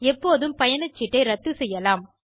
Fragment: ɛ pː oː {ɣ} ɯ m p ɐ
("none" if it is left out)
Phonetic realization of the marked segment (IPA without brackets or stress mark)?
ð